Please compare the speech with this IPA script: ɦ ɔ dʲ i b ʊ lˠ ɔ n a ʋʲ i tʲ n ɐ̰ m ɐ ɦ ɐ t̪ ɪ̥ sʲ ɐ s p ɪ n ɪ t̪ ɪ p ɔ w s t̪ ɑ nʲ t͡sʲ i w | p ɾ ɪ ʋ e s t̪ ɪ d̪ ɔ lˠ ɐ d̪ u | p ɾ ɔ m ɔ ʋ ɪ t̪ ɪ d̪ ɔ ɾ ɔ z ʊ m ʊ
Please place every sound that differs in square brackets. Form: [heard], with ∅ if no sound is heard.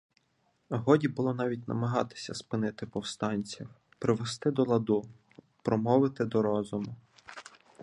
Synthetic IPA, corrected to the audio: ɦ ɔ dʲ i b ʊ lˠ ɔ n [ɑ] ʋʲ i tʲ n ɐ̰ m ɐ ɦ [ɑ] t̪ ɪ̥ sʲ ɐ s p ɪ n ɪ t̪ ɪ p ɔ w s t̪ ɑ nʲ t͡sʲ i w | p ɾ ɪ ʋ e s t̪ ɪ d̪ ɔ lˠ ɐ d̪ u | p ɾ ɔ m ɔ ʋ ɪ t̪ ɪ d̪ ɔ ɾ ɔ z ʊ m ʊ